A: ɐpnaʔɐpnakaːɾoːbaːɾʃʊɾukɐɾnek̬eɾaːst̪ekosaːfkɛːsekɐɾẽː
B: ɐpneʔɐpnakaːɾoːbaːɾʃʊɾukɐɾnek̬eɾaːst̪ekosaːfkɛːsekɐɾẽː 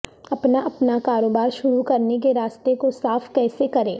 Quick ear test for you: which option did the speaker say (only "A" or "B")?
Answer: A